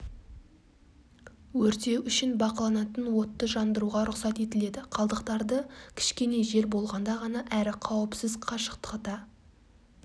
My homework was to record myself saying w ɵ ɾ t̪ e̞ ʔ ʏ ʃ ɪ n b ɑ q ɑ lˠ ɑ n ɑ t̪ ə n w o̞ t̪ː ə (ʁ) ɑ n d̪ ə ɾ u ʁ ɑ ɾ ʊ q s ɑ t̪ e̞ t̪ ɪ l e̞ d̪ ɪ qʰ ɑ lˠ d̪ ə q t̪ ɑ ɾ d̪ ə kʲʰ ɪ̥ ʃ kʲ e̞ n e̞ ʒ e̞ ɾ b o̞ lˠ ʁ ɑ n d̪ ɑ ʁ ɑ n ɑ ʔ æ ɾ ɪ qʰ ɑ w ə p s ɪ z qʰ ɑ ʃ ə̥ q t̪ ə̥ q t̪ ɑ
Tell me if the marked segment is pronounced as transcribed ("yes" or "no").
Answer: no